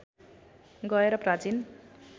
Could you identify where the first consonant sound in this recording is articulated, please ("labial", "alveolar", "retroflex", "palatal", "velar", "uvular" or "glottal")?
velar